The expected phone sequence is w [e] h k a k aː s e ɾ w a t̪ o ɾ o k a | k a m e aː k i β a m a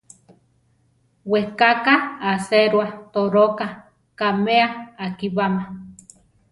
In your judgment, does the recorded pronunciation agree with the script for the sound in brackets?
yes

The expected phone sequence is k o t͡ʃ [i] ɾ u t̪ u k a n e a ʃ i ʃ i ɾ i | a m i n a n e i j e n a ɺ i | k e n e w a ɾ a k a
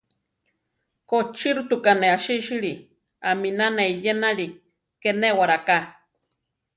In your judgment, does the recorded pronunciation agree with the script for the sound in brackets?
yes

